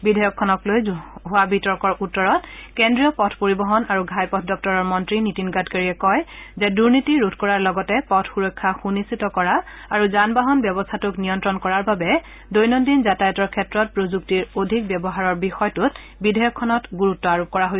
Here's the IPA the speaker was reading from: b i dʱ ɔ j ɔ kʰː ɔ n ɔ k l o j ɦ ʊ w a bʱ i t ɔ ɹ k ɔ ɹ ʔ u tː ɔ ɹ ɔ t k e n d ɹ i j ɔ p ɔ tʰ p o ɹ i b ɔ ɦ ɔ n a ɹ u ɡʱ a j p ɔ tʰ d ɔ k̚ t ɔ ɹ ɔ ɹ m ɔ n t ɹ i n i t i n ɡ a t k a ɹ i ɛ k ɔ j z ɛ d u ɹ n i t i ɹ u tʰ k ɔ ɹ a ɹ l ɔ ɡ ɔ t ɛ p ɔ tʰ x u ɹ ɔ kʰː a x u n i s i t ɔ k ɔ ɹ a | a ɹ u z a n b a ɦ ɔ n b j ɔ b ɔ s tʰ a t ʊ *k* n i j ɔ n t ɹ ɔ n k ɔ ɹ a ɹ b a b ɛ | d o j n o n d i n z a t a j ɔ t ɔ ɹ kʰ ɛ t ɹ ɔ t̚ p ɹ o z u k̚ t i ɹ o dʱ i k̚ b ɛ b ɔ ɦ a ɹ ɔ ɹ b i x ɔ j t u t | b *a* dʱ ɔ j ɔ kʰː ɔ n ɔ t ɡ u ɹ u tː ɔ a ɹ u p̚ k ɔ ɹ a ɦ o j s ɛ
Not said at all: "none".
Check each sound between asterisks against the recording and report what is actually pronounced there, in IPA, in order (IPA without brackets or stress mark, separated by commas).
k, i